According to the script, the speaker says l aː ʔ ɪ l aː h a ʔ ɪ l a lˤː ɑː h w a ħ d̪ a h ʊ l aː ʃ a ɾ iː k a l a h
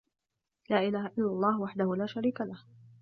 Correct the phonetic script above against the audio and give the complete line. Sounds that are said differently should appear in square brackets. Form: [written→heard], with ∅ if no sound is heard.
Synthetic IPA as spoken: l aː ʔ ɪ l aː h a ʔ ɪ [l→lː] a lˤː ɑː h w a ħ d̪ a h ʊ l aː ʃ a ɾ iː k a l a h